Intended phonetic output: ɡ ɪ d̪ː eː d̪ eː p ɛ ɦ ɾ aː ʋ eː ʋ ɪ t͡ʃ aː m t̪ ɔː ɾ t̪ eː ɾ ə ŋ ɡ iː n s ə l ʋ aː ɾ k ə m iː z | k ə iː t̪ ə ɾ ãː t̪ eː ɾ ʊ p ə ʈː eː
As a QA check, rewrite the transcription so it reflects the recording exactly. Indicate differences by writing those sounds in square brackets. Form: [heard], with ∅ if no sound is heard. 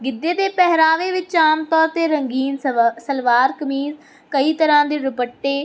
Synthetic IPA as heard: ɡ ɪ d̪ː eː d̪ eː p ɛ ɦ ɾ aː ʋ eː ʋ ɪ t͡ʃ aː m t̪ ɔː ɾ t̪ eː ɾ ə ŋ ɡ iː n s ə l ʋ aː ɾ k ə m iː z | k ə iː t̪ ə ɾ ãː [d̪] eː ɾ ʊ p ə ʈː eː